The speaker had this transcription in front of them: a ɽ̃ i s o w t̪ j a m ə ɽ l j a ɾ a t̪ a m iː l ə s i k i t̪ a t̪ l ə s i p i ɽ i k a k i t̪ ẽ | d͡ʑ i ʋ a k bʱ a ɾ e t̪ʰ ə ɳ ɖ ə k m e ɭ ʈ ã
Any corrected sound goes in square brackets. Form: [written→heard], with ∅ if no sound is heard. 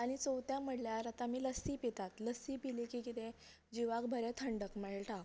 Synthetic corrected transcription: a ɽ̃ i [s→t͡s] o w t̪ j a m ə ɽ l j a ɾ a t̪ a m iː l ə s i [k→p] i t̪ a t̪ l ə s i p i [ɽ→l] i k [a→i] k i t̪ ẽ | d͡ʑ i ʋ a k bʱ [a→ə] ɾ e t̪ʰ ə ɳ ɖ ə k m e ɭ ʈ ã